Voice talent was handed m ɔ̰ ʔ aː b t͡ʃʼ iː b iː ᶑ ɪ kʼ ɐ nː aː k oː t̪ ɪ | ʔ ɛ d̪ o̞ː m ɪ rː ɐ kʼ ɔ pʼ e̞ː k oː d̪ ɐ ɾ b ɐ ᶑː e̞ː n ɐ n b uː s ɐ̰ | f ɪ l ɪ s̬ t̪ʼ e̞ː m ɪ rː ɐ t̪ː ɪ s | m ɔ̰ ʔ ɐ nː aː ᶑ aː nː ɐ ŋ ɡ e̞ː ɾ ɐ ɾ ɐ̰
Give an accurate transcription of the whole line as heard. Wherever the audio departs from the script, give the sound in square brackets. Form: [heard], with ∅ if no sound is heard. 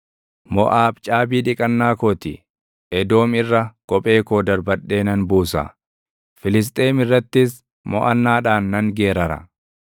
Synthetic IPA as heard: m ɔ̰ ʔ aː b t͡ʃʼ [aː] b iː ᶑ ɪ kʼ ɐ nː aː k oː t̪ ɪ | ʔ ɛ d̪ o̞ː m ɪ rː ɐ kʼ ɔ pʼ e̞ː k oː d̪ ɐ ɾ b ɐ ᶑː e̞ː n ɐ n b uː s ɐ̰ | f ɪ l ɪ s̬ t̪ʼ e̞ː m ɪ rː ɐ t̪ː ɪ s | m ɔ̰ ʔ ɐ nː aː ᶑ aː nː ɐ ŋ ɡ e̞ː ɾ ɐ ɾ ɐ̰